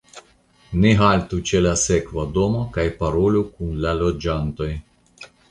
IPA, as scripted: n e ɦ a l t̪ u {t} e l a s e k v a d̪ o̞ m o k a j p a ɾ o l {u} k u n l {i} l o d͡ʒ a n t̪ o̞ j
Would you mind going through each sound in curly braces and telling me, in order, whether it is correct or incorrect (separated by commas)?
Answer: incorrect, correct, incorrect